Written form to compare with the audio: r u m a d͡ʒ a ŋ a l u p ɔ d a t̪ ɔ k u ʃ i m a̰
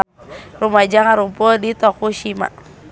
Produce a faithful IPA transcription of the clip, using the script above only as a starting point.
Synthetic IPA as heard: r u m a d͡ʒ a ŋ a ɾ u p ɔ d i t̪ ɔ k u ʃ i m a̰